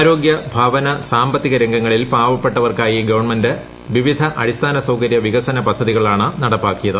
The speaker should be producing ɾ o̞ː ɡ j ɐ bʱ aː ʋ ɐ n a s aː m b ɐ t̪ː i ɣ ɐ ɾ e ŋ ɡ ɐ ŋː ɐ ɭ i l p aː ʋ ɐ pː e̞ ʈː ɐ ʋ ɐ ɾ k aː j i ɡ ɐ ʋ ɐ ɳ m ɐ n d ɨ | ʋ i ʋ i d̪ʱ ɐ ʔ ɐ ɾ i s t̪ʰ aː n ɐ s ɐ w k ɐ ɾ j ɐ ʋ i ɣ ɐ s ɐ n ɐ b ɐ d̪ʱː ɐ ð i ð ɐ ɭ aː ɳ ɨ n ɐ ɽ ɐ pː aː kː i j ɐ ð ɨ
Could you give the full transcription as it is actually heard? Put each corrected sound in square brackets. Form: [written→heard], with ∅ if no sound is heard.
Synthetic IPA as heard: ɾ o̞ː ɡ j ɐ bʱ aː ʋ ɐ n [a→ɐ] s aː m b ɐ t̪ː i ɣ ɐ ɾ e ŋ ɡ ɐ ŋː ɐ ɭ i l p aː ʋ ɐ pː e̞ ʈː ɐ ʋ ɐ [ɾ→r] k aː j i ɡ ɐ ʋ ɐ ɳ m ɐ n d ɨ | ʋ i ʋ i d̪ʱ ɐ ʔ ɐ ɾ i s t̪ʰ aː n ɐ s ɐ w k ɐ ɾ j ɐ ʋ i ɣ ɐ s ɐ n ɐ [b→p] ɐ d̪ʱː ɐ ð i [ð→ɣ] ɐ ɭ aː ɳ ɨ n ɐ ɽ ɐ pː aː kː i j ɐ ð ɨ